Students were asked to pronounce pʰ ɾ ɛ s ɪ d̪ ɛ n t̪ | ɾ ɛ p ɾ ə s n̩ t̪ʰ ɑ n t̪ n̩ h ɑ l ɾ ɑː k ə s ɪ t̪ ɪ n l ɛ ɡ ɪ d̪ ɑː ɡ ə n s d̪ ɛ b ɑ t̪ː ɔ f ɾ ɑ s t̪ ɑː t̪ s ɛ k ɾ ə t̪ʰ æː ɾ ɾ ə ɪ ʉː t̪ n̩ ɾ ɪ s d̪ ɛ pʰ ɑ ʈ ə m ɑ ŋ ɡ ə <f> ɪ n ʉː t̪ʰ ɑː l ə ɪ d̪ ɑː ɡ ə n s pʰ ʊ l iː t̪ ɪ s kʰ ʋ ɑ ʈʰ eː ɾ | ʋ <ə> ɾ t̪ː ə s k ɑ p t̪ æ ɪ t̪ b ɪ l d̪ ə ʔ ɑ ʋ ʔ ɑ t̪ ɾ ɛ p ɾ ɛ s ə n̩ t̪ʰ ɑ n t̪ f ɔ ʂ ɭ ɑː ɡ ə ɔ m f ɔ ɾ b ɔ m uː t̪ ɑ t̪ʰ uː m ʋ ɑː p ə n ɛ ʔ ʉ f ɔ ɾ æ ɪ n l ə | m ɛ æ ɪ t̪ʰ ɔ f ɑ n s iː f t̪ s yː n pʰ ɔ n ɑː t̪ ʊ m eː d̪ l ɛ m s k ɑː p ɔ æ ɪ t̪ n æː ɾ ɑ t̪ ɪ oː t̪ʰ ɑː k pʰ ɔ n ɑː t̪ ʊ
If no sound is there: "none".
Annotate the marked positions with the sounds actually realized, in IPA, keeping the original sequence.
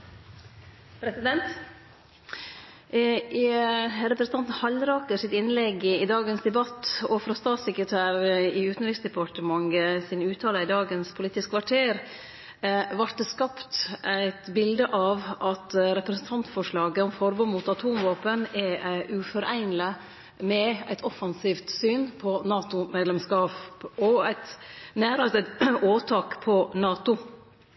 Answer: s, ɑ

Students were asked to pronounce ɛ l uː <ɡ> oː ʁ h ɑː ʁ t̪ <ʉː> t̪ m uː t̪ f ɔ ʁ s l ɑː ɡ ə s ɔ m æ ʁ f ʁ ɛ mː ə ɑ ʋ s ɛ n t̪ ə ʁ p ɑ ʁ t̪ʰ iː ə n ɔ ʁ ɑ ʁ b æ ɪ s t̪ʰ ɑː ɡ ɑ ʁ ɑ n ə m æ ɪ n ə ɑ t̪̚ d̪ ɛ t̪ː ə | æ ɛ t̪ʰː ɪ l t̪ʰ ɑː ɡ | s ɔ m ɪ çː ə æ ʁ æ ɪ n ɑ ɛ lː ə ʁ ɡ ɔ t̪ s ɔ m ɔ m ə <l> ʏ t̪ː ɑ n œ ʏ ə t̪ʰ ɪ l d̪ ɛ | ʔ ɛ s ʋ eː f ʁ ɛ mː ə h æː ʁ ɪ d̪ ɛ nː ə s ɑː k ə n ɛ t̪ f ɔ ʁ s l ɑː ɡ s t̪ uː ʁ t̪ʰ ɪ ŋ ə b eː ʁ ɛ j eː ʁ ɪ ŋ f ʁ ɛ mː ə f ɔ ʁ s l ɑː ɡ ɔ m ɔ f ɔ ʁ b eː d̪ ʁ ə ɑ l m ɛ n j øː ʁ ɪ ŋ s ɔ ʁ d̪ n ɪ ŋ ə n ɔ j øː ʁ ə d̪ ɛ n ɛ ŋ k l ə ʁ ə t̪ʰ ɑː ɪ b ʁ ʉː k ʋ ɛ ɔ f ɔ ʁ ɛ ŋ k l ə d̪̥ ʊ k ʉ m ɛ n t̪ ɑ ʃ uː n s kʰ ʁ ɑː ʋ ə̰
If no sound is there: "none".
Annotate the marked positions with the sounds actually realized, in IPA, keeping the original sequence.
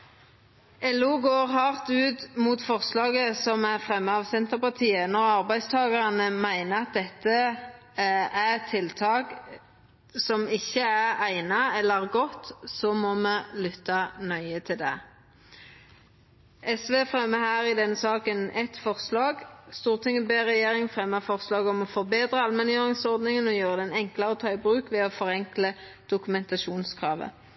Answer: ɡ, ʉː, l

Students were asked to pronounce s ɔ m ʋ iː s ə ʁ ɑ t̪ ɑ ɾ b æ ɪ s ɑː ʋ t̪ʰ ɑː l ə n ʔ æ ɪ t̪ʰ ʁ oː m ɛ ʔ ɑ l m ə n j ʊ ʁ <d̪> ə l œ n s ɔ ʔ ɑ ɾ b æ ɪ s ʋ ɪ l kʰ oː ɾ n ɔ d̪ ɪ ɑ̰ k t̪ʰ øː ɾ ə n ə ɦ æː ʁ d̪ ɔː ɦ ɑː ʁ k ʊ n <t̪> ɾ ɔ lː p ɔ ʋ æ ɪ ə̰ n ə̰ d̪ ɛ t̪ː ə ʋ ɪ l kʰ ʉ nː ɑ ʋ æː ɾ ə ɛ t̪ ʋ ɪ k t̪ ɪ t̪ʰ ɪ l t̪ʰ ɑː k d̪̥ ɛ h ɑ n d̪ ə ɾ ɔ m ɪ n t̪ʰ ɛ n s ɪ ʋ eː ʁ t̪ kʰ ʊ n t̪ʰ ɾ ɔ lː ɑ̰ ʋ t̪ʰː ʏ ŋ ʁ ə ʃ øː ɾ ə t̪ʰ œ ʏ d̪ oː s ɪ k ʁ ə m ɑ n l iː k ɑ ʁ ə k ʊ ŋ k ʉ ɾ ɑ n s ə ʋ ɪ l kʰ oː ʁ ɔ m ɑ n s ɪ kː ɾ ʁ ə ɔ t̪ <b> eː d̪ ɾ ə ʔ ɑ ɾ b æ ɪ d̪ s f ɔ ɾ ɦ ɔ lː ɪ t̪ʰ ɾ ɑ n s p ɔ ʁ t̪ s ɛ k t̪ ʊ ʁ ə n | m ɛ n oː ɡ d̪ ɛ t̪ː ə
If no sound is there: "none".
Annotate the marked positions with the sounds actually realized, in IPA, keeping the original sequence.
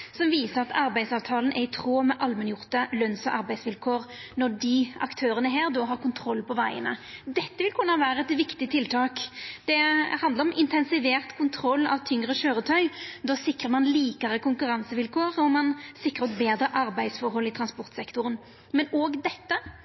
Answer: t̪, t̪ʰ, b

